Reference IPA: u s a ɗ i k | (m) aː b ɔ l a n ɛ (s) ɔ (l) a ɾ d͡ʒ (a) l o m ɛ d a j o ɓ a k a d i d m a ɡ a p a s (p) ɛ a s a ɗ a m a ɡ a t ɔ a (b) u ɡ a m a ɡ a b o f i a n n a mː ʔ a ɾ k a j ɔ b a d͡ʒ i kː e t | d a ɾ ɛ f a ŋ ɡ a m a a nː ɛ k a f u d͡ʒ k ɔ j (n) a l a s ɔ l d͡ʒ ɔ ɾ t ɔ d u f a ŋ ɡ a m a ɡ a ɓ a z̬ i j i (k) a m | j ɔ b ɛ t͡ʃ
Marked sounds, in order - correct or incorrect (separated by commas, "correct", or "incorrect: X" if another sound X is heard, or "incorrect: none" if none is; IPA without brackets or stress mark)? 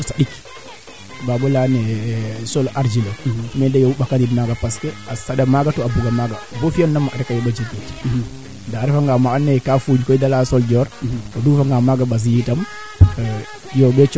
incorrect: b, correct, correct, incorrect: i, incorrect: k, correct, incorrect: d, incorrect: t